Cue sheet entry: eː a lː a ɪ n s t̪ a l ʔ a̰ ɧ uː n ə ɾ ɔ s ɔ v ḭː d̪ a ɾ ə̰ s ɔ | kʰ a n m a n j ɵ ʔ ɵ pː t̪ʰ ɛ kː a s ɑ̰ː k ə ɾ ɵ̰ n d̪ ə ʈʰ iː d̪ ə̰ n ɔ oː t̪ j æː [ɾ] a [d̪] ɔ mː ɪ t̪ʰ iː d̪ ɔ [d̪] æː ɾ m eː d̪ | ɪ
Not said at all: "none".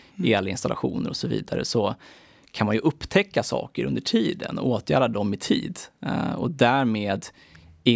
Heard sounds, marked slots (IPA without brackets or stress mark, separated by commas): ɾ, d̪, d̪